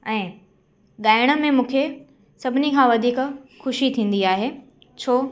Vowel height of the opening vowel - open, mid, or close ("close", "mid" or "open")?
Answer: mid